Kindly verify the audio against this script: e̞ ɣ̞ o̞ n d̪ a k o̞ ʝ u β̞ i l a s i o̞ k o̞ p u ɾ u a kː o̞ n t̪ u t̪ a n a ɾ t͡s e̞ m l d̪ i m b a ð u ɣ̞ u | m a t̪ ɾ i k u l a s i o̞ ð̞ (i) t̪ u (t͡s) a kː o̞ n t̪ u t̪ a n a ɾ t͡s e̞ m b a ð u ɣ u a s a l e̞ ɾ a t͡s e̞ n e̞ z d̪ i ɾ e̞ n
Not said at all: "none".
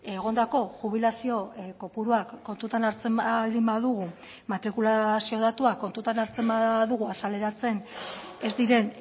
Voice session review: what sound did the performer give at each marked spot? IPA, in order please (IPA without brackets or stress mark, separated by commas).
a, none